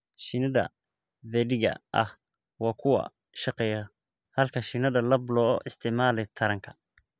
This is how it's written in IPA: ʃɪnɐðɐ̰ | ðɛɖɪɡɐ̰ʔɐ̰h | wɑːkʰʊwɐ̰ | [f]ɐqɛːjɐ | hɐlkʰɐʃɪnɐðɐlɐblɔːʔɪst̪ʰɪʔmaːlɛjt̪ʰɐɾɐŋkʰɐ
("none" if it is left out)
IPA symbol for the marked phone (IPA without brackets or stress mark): ʃ